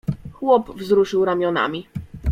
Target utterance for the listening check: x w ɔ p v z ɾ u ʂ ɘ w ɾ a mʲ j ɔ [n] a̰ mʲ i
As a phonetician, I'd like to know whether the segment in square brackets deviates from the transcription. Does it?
no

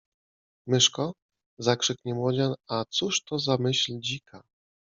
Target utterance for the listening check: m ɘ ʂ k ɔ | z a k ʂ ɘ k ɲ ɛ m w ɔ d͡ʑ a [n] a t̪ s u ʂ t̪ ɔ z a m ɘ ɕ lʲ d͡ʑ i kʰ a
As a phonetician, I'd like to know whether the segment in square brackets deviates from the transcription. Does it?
no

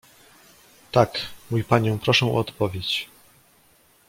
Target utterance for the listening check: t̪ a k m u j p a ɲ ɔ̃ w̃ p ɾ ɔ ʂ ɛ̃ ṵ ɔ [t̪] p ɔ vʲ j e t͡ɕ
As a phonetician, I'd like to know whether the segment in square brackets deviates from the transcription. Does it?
no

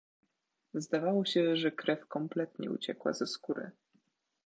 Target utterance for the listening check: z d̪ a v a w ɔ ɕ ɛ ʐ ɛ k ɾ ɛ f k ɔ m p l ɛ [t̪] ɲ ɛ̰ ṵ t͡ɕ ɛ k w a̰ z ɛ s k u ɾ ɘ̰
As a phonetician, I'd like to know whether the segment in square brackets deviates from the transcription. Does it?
no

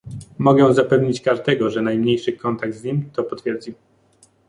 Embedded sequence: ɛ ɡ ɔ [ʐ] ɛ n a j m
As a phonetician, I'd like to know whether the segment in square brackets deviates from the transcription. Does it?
no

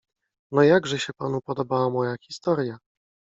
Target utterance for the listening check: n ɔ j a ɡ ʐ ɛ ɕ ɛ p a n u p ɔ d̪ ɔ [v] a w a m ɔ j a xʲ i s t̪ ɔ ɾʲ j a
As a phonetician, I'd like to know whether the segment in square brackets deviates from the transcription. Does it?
yes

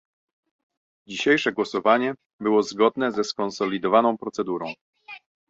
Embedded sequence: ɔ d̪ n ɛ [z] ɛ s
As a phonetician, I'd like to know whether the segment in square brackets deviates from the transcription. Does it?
no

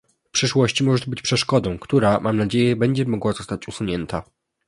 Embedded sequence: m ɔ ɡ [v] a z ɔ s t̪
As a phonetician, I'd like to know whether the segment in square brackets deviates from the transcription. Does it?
yes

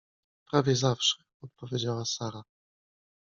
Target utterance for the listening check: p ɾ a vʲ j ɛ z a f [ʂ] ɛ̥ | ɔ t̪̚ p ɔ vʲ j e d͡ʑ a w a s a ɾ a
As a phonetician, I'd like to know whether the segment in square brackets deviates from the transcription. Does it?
no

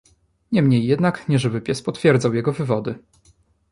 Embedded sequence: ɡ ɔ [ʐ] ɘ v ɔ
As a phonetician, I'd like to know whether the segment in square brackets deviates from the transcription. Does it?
yes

